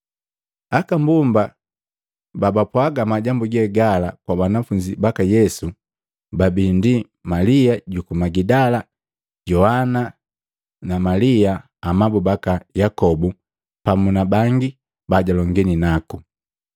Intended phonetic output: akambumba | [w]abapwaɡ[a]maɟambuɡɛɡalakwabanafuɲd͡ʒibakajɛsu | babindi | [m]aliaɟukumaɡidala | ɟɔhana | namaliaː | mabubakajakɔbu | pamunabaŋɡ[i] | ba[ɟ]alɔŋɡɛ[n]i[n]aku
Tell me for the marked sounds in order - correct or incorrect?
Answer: incorrect, correct, correct, correct, correct, correct, correct

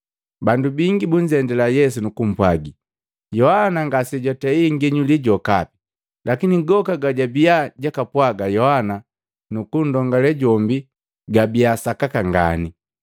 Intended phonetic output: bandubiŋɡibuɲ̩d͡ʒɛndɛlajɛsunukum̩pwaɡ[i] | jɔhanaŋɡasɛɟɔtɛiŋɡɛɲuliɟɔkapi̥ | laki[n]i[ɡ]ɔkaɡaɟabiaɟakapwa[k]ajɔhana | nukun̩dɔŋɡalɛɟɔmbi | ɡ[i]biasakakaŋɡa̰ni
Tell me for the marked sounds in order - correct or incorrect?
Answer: correct, correct, correct, incorrect, incorrect

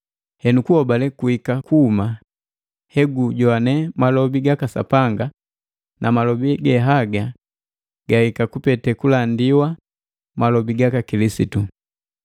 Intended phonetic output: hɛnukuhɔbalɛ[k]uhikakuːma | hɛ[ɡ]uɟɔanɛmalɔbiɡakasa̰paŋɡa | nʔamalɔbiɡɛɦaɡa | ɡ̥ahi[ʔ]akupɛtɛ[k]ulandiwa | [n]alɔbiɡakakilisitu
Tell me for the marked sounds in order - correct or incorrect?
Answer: correct, correct, incorrect, correct, incorrect

